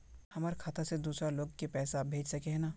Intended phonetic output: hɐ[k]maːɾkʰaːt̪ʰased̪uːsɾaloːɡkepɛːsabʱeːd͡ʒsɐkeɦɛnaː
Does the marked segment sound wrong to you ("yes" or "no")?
yes